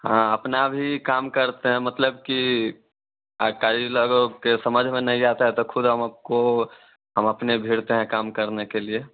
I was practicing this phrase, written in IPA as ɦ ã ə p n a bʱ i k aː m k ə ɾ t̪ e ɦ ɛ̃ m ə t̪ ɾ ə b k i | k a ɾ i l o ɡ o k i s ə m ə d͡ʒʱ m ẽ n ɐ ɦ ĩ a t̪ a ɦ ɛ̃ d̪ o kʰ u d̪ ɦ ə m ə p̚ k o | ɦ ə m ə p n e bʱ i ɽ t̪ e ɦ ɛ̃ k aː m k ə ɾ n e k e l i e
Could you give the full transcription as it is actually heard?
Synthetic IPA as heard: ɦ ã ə p n a bʱ i k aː m k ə ɾ t̪ e ɦ ɛ̃ m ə t̪ l ə b k i | k a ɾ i l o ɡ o k e s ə m ə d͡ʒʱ m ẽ n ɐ ɦ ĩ a t̪ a ɦ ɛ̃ t̪ o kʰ ʊ d̪ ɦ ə m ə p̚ k o | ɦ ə m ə p n e bʱ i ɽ t̪ e ɦ ɛ̃ k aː m k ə ɾ n e k e l i e